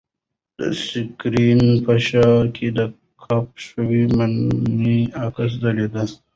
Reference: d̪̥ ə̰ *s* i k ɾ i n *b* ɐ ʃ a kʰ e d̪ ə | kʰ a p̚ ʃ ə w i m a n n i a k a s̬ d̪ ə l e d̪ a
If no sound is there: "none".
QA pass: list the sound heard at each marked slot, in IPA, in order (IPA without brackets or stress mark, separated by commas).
s, p